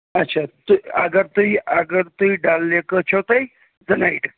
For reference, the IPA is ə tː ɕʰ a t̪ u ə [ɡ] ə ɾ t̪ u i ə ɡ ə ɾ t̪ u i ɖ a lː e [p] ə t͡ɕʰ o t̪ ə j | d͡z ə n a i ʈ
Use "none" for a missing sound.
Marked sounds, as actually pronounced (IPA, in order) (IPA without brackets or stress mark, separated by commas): ɡ, k